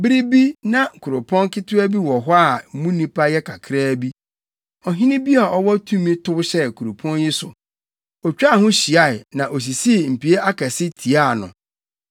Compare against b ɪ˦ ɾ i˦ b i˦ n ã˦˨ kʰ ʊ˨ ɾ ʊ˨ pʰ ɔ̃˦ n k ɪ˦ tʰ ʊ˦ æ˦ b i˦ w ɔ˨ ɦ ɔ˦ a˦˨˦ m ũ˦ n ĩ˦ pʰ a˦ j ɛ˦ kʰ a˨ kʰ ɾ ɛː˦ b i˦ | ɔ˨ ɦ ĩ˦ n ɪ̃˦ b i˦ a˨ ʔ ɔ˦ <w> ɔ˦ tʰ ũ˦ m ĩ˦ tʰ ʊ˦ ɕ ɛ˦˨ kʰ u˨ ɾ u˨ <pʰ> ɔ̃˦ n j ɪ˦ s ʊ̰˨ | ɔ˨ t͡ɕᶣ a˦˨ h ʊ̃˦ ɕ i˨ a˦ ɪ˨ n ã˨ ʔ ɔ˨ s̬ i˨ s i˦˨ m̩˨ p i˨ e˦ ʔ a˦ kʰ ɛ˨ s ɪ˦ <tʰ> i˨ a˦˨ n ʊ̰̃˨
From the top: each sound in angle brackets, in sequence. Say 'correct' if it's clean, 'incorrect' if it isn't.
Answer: correct, correct, correct

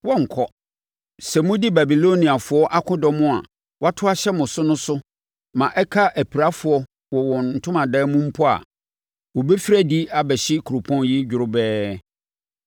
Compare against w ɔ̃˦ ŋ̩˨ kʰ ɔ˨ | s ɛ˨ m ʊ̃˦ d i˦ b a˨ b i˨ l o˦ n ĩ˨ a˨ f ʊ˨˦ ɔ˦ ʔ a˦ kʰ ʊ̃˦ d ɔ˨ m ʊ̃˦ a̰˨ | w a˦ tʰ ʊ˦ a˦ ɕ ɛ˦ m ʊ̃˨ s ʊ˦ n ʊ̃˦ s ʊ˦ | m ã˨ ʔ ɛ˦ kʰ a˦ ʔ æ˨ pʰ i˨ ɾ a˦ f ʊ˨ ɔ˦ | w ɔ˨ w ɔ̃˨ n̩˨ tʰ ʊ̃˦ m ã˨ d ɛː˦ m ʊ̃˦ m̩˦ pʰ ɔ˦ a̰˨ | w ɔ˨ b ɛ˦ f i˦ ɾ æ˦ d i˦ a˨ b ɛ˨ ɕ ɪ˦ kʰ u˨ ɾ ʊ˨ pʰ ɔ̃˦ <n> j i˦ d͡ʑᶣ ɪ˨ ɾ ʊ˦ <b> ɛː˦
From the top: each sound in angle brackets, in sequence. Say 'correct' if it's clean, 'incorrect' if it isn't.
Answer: correct, correct

